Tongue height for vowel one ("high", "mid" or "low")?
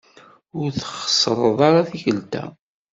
high